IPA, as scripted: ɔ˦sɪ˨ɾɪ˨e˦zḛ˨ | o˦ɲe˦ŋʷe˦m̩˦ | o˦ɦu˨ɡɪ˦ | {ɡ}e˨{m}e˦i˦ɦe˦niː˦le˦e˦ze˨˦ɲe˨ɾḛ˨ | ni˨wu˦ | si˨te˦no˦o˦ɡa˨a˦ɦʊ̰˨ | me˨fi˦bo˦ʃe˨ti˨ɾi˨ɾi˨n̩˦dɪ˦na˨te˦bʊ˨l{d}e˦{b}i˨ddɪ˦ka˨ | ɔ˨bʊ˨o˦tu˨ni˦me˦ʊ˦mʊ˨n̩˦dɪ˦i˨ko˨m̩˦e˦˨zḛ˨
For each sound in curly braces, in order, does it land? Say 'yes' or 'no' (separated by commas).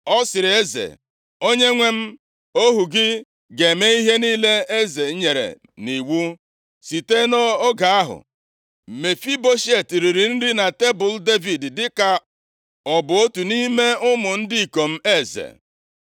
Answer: yes, yes, yes, no